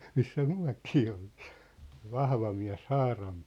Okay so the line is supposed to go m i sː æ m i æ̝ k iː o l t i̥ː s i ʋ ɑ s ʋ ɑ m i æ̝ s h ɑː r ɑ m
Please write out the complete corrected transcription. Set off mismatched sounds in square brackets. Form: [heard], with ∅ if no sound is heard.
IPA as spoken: m i sː æ m [y] æ̝ k iː o l t i̥ː s [e] ʋ ɑ [h] ʋ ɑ m i æ̝ s h ɑː r ɑ m

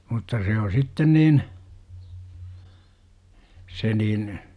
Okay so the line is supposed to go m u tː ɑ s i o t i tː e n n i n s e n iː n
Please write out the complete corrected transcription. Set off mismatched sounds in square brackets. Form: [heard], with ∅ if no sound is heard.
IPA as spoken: m u tː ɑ s [e] o [s] i tː e n n [iː] n s e n iː n

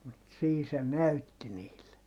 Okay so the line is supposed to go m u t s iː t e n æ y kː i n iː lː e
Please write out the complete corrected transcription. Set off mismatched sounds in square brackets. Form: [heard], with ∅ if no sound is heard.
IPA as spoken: m u t s iː [s] e n æ y [tː] i n iː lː e

